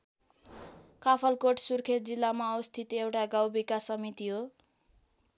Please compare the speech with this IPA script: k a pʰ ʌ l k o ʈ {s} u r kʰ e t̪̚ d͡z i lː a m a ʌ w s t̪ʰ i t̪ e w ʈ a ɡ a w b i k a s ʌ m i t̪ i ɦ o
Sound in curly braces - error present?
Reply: no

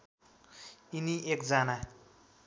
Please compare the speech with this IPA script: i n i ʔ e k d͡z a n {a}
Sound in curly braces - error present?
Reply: no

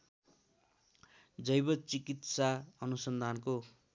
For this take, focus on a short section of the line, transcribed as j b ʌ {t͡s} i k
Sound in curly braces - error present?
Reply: no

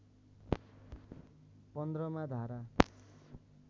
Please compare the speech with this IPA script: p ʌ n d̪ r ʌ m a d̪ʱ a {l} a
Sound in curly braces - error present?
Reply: yes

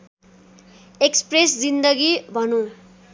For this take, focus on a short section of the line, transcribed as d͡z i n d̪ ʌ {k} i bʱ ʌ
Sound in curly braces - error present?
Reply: yes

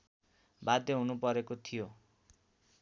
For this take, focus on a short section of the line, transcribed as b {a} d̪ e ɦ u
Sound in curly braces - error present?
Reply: no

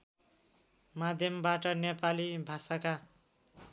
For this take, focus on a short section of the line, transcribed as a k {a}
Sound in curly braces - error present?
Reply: no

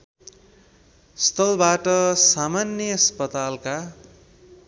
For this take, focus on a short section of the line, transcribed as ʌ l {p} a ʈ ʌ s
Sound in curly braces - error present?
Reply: yes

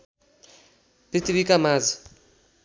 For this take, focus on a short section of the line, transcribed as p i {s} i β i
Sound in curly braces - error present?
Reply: yes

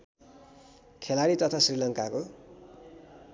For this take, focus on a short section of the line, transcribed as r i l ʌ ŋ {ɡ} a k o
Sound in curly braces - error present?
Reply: yes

